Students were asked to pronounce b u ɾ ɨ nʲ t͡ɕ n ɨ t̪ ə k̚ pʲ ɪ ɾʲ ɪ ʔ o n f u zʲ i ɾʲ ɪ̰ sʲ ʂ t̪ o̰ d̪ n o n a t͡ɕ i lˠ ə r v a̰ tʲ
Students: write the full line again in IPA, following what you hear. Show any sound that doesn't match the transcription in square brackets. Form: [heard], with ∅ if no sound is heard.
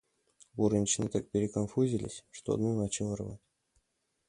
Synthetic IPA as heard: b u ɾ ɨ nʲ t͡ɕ n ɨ t̪ [a] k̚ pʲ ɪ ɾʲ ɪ [k] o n f u zʲ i [lʲ] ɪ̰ sʲ ʂ t̪ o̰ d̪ n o n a t͡ɕ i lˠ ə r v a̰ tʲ